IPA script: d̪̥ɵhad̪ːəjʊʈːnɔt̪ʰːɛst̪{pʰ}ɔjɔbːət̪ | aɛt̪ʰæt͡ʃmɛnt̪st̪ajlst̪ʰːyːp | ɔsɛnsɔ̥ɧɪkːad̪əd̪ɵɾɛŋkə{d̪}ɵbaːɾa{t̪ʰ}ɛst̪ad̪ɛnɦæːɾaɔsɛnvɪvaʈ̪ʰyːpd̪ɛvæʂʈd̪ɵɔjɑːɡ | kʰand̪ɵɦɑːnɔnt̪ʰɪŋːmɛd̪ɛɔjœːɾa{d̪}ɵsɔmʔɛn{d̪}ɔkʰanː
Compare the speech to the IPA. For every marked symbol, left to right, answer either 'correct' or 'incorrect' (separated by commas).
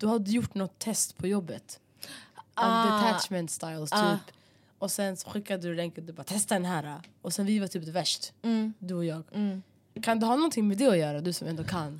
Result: correct, correct, correct, correct, correct